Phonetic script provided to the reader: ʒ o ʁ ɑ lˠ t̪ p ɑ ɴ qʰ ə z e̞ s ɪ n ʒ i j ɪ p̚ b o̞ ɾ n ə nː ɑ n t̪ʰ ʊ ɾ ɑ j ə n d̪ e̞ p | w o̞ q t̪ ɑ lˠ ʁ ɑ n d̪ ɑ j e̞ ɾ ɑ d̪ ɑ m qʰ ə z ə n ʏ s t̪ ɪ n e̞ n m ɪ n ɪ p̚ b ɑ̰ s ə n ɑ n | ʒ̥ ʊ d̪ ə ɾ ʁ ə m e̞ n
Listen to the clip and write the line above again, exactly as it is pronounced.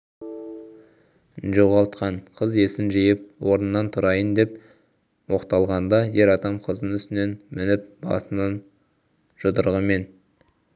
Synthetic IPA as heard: ʒ o ʁ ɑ lˠ t̪ q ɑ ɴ qʰ ə z e̞ s ɪ n ʒ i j ɪ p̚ w o̞ ɾ n ə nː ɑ n t̪ʰ ʊ ɾ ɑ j ə n d̪ e̞ p | w o̞ q t̪ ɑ lˠ ʁ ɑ n d̪ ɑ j e̞ ɾ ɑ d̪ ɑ m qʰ ə z ə n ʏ s t̪ ɪ n e̞ n m ɪ n ɪ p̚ b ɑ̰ s ə n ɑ n | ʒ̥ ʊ d̪ ə ɾ ʁ ə m e̞ n